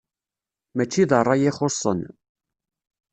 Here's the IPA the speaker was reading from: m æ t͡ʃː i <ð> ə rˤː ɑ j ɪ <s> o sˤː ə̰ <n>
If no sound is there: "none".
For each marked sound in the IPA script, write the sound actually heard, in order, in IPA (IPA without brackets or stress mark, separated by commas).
ð, χ, n